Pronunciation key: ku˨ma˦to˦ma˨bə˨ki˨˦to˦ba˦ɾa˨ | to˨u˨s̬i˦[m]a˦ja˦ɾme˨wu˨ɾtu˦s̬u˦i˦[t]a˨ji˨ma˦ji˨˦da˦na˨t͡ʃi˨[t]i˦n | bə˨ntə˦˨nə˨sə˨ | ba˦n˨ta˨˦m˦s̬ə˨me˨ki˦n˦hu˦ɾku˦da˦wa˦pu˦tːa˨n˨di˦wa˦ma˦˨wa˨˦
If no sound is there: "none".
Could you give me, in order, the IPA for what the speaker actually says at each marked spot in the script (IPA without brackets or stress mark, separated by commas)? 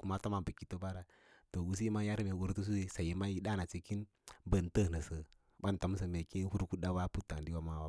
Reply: m, s, k